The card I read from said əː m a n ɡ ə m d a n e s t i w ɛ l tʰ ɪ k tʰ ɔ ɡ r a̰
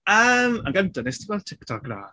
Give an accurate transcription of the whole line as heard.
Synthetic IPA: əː m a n ɡ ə n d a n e s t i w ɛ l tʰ ɪ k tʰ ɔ ɡ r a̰